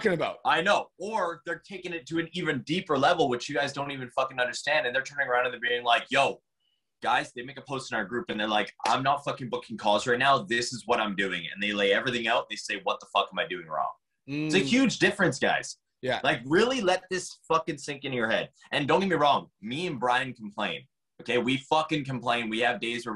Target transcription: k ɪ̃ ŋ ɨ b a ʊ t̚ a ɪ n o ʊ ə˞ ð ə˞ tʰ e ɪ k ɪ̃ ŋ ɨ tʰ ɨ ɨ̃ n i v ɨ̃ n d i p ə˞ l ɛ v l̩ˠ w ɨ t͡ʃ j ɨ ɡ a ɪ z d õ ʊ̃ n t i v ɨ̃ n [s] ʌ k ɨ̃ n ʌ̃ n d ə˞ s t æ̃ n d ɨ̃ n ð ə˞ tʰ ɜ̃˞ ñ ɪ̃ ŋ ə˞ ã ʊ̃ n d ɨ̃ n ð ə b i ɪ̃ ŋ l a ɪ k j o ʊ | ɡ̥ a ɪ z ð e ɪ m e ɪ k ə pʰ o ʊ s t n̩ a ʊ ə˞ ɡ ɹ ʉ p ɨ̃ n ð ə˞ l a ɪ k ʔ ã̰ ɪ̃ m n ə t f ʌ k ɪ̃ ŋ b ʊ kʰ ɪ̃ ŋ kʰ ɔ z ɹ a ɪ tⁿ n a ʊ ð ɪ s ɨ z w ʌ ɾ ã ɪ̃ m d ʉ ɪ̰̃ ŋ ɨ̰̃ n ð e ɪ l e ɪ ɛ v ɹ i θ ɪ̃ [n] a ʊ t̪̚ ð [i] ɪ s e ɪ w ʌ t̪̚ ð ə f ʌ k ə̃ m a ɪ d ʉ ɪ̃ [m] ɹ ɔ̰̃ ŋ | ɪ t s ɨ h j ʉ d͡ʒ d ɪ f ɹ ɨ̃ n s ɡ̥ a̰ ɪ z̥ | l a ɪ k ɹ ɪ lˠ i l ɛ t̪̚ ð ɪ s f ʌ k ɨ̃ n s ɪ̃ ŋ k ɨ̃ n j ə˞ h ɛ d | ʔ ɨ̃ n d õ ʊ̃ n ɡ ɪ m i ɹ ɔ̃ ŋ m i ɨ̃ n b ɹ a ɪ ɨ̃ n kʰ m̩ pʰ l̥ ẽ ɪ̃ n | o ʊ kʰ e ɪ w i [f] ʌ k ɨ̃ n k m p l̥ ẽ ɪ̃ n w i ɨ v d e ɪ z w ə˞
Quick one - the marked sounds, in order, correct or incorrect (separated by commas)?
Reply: incorrect, incorrect, incorrect, incorrect, correct